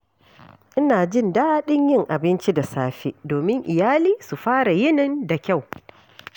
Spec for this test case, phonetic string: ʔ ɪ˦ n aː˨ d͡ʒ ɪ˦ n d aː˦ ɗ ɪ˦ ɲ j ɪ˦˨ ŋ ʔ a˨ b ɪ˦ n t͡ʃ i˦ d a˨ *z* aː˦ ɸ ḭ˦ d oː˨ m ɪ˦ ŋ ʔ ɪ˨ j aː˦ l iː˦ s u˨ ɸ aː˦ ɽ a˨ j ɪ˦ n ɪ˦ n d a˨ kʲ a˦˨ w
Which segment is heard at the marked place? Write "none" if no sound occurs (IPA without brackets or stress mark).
s